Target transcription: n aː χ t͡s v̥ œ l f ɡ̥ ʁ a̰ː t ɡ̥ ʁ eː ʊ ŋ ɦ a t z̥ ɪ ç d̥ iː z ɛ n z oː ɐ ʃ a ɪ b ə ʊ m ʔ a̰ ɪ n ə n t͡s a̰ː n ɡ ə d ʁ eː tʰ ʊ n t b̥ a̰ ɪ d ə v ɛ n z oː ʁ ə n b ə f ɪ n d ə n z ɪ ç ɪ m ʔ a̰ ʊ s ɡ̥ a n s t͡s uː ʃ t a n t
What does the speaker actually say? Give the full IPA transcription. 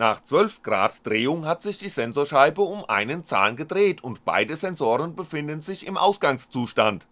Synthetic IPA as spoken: n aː χ t͡s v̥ œ l f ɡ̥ ʁ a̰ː t d̥ ʁ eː ʊ ŋ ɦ a t z̥ ɪ ç d̥ iː z ɛ n z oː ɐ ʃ a ɪ b ə ʊ m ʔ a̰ ɪ n ə n t͡s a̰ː n ɡ ə d ʁ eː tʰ ʊ n t b̥ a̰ ɪ d ə z ɛ n z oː ʁ ə n b ə f ɪ n d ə n z ɪ ç ɪ m ʔ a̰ ʊ s ɡ̥ a ŋ s t͡s uː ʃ t a n t